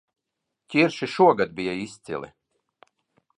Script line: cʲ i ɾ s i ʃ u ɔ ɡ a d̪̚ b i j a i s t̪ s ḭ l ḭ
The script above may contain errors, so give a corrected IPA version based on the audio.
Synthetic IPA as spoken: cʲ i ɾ ʃ i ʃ u ɔ ɡ a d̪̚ b i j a i s t̪ s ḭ l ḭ